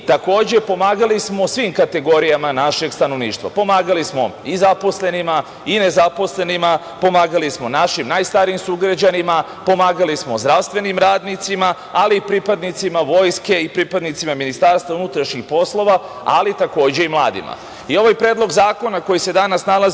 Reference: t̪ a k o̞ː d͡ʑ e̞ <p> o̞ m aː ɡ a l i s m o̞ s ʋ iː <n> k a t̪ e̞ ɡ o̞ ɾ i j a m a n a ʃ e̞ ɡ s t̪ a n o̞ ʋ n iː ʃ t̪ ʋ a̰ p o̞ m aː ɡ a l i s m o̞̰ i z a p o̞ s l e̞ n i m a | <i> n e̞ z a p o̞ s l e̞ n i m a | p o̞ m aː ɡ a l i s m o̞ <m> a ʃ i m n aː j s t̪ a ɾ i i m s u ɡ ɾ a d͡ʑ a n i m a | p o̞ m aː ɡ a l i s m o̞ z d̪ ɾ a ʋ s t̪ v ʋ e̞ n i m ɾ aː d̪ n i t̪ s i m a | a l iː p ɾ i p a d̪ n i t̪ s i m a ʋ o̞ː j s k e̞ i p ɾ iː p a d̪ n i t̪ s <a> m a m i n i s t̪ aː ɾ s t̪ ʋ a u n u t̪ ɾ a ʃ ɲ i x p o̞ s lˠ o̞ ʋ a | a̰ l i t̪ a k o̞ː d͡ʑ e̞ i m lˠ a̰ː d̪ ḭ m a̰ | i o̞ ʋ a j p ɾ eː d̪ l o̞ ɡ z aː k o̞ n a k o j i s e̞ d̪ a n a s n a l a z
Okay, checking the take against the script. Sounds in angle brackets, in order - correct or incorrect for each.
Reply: correct, incorrect, correct, incorrect, incorrect

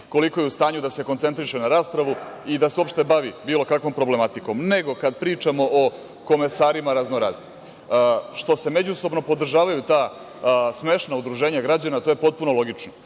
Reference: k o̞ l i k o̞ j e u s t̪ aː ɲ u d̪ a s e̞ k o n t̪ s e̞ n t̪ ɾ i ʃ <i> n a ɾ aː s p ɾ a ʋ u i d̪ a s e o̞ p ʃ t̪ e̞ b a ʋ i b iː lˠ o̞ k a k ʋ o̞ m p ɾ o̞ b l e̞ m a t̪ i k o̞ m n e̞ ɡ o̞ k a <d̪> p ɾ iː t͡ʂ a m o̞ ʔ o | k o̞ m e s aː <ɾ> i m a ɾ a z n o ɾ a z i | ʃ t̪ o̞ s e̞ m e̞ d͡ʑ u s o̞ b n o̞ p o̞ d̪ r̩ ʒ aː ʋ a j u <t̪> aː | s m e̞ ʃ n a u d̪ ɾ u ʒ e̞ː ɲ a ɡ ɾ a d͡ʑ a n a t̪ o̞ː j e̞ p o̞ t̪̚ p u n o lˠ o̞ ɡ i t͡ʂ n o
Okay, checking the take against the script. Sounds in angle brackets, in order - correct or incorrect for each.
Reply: incorrect, correct, correct, correct

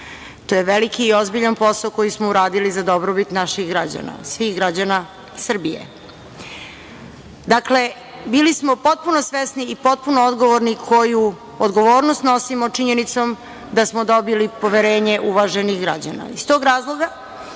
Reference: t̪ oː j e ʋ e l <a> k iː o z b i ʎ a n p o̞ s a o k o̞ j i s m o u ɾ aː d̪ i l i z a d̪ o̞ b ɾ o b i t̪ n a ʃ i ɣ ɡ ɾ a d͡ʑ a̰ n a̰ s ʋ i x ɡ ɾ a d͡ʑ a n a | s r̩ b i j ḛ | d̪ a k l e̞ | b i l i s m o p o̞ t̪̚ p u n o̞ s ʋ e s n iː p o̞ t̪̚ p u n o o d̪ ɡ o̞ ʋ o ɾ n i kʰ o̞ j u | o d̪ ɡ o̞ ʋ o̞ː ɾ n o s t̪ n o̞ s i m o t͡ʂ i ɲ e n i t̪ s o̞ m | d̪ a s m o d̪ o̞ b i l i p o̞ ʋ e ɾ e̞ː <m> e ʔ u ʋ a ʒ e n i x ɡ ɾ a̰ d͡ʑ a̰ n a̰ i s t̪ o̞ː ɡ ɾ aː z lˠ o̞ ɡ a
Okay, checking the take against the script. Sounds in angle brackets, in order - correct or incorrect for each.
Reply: incorrect, incorrect

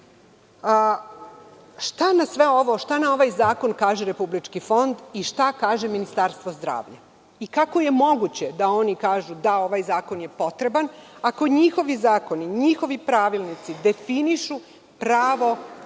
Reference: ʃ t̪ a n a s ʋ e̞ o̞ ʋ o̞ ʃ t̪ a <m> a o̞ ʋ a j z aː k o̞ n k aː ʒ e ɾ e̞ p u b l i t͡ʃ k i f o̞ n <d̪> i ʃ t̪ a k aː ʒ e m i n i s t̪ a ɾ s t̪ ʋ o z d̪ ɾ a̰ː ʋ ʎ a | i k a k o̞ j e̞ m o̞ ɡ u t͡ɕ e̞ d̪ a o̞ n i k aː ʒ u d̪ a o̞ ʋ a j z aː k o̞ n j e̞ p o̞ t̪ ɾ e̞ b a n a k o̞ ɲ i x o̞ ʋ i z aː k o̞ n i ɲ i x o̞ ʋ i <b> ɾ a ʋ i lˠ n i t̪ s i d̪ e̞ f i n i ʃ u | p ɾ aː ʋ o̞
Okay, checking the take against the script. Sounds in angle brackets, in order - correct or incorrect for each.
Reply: incorrect, correct, incorrect

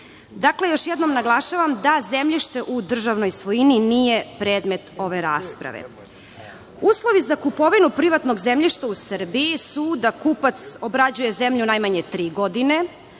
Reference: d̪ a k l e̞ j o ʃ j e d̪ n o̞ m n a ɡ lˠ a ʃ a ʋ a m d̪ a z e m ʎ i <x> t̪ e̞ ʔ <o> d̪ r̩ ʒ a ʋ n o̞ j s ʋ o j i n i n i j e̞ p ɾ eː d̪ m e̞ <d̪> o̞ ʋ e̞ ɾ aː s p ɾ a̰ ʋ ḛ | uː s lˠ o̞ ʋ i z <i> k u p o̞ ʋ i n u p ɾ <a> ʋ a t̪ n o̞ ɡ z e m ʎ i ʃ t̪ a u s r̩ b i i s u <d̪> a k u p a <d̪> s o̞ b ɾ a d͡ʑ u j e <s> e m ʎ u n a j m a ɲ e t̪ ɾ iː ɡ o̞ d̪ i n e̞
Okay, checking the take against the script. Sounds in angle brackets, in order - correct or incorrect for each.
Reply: incorrect, incorrect, incorrect, incorrect, incorrect, correct, incorrect, incorrect

